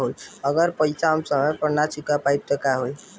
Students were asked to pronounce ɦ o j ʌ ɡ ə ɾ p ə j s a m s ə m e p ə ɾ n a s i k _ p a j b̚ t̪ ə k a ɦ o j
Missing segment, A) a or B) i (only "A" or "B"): A